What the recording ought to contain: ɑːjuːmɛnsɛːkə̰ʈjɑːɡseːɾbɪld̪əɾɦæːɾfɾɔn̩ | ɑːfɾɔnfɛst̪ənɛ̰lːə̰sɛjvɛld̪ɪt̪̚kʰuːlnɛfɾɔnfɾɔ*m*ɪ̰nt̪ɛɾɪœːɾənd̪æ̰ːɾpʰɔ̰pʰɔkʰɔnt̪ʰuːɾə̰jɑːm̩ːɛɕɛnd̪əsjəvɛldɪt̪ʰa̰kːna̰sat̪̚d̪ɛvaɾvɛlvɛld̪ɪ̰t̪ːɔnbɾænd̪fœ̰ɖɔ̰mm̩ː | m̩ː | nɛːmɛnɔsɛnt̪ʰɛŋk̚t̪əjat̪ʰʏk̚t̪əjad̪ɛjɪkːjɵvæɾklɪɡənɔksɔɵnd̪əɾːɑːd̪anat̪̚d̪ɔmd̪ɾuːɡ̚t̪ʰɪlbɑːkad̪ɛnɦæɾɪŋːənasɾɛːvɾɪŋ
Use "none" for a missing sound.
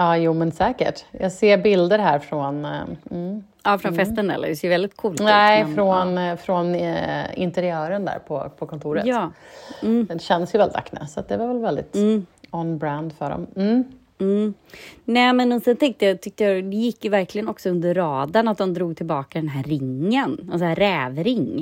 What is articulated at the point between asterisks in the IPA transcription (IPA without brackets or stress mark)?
n